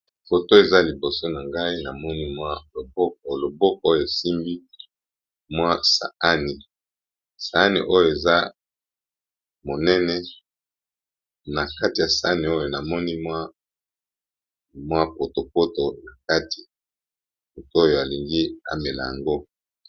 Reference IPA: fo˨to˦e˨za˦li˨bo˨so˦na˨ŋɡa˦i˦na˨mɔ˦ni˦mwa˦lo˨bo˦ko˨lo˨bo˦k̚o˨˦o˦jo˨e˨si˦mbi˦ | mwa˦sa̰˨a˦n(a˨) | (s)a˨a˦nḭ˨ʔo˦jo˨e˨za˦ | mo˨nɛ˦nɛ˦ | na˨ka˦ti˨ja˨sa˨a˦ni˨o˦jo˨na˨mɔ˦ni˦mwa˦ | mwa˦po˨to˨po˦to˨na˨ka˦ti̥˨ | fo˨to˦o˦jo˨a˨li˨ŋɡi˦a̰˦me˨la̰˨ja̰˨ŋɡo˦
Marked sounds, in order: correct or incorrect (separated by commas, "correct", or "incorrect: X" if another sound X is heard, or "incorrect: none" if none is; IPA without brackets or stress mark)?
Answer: incorrect: i˨, correct